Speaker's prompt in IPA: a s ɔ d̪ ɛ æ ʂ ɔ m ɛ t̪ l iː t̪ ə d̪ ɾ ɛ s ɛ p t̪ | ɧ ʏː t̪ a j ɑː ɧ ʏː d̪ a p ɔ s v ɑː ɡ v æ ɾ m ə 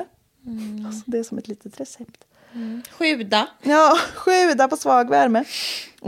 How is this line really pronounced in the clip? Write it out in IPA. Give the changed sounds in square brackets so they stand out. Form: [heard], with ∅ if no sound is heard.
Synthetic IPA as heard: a s ɔ d̪ ɛ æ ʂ ɔ m ɛ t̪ l iː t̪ ə [t̪] ɾ ɛ s ɛ p t̪ | ɧ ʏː [d̪] a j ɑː ɧ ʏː d̪ a p ɔ s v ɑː ɡ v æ ɾ m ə